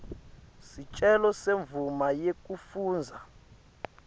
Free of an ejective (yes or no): no